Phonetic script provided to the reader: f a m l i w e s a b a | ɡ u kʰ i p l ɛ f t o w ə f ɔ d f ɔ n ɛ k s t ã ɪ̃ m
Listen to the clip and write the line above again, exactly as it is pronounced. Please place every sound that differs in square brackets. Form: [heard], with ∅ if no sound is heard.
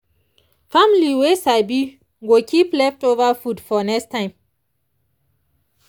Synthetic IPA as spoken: f a m l i w e s a b [i] | ɡ [o] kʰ i p l ɛ f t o [v] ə f [u] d f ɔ n ɛ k s t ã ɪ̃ m